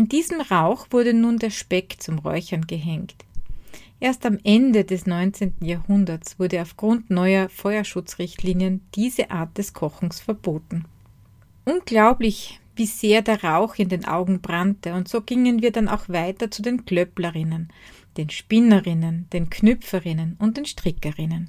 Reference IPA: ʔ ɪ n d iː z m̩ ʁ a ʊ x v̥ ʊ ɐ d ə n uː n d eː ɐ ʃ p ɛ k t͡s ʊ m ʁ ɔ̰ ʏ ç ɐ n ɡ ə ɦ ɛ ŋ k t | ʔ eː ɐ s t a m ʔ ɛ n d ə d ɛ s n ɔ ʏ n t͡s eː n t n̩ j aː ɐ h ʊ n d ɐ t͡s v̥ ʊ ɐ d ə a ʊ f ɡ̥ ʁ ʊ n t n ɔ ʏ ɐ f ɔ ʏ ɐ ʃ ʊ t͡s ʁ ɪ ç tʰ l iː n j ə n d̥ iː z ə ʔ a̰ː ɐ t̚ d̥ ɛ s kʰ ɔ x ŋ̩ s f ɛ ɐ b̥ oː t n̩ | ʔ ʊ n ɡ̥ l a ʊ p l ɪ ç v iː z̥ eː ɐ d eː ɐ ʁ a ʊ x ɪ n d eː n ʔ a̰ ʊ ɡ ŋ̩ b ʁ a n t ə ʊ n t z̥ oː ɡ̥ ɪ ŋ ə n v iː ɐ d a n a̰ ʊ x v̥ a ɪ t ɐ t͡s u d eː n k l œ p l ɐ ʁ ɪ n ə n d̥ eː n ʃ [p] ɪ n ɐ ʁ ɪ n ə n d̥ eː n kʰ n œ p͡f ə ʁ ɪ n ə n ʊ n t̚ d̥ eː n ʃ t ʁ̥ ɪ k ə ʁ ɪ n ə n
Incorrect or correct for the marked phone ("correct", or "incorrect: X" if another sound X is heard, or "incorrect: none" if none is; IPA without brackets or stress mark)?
correct